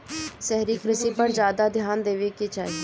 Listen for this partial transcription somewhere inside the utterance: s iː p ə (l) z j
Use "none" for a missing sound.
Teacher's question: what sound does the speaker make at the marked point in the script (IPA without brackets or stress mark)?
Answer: ɾ